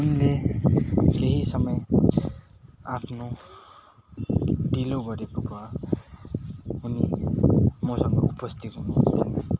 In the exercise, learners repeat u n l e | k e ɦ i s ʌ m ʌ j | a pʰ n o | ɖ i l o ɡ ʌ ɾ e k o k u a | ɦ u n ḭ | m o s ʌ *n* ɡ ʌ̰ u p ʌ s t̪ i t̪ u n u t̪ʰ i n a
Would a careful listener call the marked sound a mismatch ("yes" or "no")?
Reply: yes